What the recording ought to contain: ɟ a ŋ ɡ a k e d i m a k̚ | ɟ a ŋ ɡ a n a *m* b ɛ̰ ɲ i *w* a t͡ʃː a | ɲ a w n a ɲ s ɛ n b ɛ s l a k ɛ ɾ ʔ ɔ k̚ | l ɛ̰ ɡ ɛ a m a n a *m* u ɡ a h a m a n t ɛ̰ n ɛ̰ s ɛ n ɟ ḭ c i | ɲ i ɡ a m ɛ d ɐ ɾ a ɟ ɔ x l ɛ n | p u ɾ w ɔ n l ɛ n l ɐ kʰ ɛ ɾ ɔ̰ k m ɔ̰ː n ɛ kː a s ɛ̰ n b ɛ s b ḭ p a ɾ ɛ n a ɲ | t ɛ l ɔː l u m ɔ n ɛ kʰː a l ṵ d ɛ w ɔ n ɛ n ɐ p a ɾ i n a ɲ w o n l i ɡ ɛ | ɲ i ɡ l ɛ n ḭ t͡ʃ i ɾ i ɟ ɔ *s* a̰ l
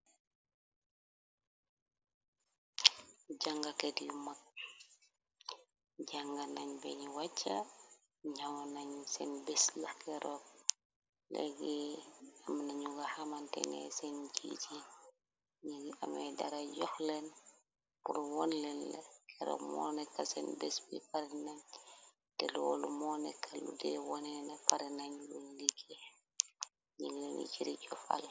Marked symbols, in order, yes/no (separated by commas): no, yes, no, no